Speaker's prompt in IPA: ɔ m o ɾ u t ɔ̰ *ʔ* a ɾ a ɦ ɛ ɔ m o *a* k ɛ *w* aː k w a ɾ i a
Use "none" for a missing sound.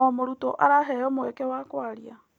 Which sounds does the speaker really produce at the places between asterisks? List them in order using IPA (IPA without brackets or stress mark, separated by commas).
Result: ʔ, ɛ, w